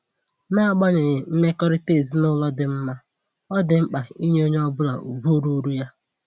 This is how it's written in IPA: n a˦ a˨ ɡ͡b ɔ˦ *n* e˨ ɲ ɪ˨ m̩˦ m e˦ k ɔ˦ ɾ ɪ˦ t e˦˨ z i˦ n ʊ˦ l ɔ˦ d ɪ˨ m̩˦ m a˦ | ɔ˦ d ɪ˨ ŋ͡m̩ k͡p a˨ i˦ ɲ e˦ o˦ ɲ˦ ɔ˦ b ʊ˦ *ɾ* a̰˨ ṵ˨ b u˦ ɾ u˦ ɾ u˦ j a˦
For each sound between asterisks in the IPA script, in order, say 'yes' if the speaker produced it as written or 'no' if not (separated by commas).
no, no